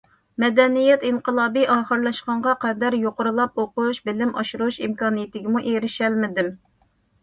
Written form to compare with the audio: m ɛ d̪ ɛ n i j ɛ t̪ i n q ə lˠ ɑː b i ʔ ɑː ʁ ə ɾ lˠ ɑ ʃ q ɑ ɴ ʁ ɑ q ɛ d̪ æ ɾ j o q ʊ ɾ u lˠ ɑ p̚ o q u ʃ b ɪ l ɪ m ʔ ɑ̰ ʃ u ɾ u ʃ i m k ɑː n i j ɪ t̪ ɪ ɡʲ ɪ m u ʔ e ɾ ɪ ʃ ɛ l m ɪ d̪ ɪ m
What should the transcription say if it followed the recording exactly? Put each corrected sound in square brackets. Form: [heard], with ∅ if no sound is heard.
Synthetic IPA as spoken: m ɛ d̪ ɛ n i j ɛ t̪ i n q ə lˠ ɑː b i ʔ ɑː [χ] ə ɾ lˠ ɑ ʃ q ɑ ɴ ʁ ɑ q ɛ d̪ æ ɾ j o q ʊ ɾ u lˠ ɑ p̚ o q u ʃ b ɪ l ɪ m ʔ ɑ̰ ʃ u ɾ u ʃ i m k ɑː n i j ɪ t̪ ɪ ɡʲ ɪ m u ʔ e ɾ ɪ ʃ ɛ l m ɪ d̪ ɪ m